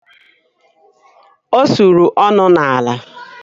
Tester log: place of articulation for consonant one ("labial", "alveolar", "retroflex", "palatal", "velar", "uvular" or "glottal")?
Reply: alveolar